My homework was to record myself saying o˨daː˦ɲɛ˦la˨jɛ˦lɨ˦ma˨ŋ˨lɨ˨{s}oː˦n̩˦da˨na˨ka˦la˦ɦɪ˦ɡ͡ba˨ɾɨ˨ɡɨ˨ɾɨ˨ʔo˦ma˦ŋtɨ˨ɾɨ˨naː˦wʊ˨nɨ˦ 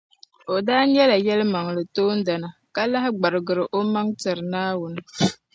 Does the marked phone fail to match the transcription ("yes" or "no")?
yes